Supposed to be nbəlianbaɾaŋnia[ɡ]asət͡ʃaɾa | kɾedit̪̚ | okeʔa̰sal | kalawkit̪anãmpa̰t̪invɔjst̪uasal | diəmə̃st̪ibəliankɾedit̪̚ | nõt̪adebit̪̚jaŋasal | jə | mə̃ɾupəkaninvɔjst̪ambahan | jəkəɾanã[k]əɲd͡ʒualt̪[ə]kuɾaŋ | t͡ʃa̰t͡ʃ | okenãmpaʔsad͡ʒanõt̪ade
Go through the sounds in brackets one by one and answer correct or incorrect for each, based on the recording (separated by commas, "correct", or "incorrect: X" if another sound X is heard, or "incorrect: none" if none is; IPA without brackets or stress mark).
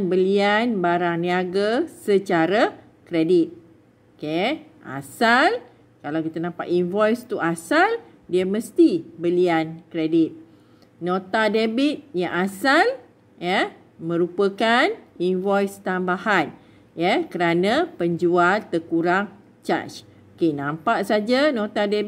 correct, incorrect: p, correct